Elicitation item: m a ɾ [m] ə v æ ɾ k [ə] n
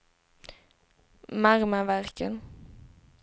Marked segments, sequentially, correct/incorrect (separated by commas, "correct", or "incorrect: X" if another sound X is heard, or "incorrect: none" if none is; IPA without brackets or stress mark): correct, correct